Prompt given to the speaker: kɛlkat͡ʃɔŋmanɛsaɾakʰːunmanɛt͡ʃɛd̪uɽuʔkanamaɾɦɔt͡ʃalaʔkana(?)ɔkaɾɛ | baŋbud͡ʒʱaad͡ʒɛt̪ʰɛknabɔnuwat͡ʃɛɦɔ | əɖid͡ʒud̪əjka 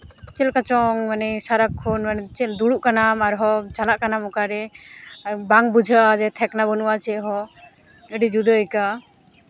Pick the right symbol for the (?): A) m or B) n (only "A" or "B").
A